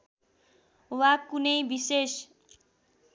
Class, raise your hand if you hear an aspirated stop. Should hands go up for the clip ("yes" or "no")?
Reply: no